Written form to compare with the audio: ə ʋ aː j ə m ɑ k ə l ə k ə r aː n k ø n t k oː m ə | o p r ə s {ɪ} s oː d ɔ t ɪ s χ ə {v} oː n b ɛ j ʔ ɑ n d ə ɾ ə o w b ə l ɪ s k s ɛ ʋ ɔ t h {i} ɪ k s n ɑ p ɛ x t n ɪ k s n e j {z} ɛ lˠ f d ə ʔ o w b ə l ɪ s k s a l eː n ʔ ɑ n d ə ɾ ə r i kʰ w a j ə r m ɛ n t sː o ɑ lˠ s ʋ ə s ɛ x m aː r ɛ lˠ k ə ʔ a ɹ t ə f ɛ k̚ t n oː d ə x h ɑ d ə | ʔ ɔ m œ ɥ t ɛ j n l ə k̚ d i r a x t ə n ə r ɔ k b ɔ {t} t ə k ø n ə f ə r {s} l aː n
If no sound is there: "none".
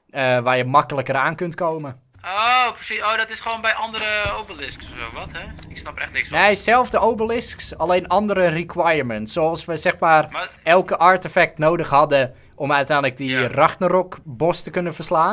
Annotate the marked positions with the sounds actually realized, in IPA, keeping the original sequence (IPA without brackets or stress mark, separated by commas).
i, ʋ, ɛ, s, s, s